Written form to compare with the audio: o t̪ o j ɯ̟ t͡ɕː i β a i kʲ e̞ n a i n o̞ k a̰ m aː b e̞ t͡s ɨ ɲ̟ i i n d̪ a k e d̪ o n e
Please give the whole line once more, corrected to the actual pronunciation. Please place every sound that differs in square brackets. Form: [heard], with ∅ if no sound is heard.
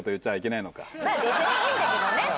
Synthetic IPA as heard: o t̪ o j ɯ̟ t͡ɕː [a] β a i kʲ e̞ n a i n o̞ k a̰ m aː b e̞ t͡s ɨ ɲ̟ i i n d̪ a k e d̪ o n e